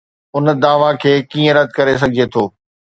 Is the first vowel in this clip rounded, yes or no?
yes